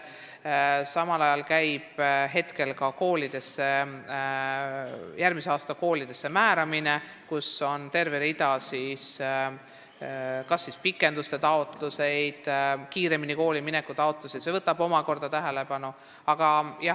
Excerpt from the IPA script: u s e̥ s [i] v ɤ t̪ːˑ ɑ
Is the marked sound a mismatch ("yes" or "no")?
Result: yes